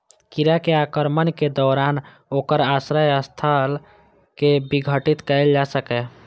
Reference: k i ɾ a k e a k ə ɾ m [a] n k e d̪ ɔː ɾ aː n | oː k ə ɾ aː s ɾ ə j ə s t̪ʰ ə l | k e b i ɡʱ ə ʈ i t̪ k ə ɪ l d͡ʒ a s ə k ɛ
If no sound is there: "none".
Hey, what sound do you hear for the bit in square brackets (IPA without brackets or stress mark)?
ə